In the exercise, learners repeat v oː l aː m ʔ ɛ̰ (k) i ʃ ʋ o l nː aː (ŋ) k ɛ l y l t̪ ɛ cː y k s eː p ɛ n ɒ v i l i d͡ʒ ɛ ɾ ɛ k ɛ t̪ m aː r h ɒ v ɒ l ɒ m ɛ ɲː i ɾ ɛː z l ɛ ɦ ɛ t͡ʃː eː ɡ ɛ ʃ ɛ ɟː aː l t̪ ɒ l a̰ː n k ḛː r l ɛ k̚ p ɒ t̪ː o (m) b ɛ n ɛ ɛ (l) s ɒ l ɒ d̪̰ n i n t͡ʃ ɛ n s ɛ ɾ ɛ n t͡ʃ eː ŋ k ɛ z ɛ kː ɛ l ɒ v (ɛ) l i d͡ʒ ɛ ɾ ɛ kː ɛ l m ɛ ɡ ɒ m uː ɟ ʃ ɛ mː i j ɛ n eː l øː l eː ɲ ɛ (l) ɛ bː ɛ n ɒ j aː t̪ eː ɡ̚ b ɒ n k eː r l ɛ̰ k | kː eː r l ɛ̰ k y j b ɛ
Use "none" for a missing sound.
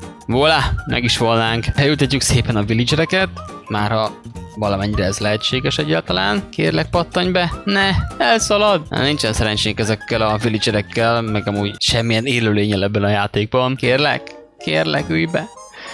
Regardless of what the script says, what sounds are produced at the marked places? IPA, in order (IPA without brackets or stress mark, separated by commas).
ɡ, ŋ, ɲ, l, i, l